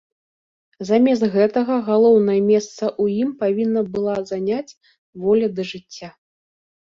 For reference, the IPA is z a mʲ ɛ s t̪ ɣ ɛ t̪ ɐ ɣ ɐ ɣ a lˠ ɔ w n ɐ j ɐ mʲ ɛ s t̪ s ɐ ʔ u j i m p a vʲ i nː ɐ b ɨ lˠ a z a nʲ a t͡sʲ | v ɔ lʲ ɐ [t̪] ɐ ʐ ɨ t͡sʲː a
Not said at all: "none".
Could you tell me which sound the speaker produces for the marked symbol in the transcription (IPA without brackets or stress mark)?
d̪